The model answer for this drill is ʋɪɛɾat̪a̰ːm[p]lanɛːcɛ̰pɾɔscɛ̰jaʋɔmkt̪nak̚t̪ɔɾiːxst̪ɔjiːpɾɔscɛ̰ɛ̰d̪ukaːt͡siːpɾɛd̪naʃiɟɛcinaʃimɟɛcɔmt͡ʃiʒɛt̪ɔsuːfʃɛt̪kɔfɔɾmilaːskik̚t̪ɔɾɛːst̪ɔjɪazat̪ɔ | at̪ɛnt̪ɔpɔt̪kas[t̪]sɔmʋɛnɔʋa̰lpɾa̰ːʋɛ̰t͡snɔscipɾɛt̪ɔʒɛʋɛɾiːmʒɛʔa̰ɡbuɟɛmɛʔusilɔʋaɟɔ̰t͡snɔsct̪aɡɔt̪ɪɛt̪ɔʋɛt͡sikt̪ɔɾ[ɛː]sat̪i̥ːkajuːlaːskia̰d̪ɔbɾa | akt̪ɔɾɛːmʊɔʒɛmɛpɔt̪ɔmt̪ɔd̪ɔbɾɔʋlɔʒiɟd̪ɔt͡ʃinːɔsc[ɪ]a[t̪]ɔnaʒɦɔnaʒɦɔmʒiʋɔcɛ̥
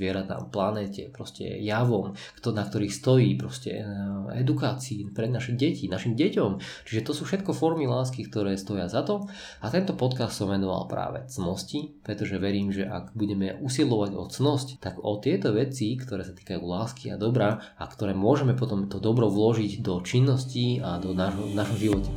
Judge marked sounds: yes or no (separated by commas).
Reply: yes, yes, yes, no, no